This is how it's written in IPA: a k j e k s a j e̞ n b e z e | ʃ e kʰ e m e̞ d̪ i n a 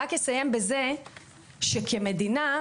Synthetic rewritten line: a k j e s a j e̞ m b e z e | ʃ e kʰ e m e̞ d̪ i n a